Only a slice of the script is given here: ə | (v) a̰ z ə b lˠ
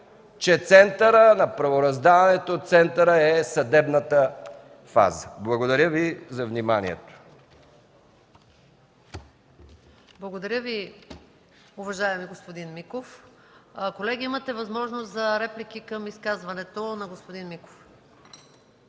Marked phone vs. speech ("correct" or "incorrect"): incorrect